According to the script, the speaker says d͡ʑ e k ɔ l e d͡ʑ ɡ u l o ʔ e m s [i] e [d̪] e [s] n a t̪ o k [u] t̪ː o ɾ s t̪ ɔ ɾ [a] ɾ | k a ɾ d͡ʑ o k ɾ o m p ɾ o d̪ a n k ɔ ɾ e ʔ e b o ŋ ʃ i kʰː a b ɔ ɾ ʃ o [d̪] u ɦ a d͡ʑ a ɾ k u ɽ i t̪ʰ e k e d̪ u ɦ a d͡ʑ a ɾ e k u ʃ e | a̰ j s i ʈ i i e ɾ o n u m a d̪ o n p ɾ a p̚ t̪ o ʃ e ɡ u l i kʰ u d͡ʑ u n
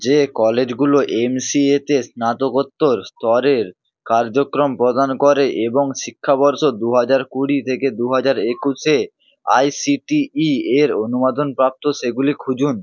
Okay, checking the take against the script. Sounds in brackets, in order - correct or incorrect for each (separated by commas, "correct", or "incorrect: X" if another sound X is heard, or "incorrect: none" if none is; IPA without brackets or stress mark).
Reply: correct, incorrect: t̪, correct, incorrect: o, incorrect: e, correct